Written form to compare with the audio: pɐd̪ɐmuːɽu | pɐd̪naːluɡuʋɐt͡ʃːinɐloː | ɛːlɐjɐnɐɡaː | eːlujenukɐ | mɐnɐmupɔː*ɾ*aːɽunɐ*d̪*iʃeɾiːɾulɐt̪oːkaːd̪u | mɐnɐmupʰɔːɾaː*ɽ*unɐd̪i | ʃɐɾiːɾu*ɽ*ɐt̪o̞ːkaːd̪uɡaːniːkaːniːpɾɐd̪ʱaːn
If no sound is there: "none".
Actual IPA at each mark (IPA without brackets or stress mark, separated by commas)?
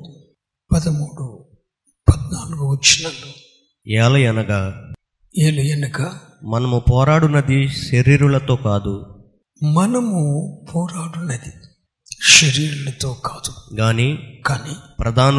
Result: ɾ, d̪, ɽ, l